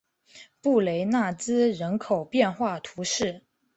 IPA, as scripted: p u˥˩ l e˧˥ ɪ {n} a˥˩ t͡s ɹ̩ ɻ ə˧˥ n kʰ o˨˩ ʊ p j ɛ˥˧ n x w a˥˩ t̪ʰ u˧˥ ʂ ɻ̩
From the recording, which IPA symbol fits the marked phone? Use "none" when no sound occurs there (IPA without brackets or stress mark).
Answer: n